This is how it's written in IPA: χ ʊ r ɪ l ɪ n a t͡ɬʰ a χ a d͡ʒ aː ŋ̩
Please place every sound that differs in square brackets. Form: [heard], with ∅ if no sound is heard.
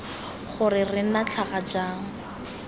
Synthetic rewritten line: χ ʊ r ɪ [r] ɪ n a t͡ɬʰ a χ a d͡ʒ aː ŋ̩